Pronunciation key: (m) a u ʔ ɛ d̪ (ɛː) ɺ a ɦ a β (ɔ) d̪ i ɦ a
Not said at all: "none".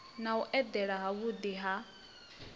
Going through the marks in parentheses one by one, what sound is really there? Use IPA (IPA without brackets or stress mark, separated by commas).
n, ɛ, u